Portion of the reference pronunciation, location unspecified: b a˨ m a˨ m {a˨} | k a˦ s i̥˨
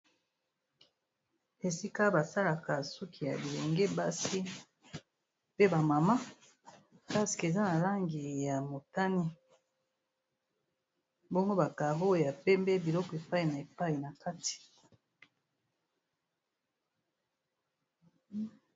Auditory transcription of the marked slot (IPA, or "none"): a˦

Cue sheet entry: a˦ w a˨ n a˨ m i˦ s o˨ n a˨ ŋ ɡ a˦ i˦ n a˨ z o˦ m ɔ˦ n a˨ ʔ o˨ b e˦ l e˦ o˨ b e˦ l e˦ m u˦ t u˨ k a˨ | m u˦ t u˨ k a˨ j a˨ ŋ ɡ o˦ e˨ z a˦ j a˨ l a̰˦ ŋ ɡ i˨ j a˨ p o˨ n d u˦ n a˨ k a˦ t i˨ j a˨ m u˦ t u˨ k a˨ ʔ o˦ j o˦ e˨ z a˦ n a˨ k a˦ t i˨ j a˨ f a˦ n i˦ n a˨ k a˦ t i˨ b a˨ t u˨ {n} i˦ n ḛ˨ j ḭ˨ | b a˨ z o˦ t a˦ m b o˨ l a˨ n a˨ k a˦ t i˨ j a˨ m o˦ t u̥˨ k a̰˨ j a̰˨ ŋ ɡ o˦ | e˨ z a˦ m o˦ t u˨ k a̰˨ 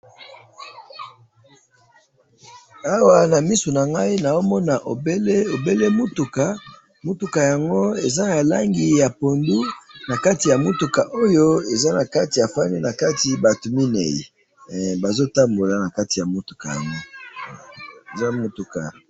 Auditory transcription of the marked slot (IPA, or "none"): m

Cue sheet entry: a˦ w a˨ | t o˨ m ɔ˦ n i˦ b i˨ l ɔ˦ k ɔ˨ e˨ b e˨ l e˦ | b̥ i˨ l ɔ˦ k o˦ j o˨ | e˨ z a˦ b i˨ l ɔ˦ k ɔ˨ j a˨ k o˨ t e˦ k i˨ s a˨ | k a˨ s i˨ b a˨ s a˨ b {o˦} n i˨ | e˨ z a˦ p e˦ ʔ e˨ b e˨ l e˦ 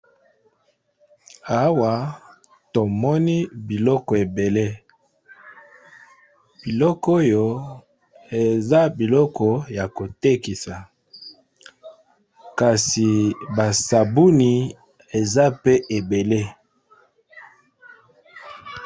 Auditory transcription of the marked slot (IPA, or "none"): u˦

